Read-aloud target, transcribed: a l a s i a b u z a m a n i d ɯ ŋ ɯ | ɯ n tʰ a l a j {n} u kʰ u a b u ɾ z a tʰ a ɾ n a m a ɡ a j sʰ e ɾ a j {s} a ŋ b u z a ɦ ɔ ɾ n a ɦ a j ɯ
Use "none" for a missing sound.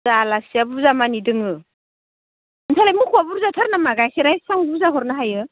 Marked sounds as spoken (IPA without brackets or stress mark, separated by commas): m, s